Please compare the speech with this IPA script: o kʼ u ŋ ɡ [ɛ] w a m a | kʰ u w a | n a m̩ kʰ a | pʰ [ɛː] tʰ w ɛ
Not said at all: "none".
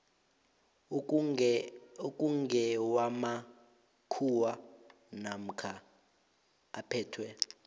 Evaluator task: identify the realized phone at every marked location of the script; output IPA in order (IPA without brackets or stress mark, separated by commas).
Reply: ɛ, ɛː